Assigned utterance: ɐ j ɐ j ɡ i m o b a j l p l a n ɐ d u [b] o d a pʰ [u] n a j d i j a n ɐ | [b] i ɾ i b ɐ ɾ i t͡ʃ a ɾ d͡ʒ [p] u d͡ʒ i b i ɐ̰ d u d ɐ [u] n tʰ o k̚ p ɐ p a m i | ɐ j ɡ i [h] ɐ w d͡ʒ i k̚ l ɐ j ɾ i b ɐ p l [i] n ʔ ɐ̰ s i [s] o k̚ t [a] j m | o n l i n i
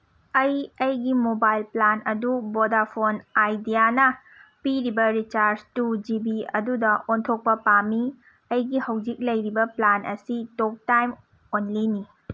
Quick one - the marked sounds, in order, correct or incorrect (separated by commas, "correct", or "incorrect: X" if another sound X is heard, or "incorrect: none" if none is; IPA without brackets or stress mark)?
correct, incorrect: o, incorrect: p, incorrect: t, incorrect: o, correct, incorrect: a, incorrect: t, correct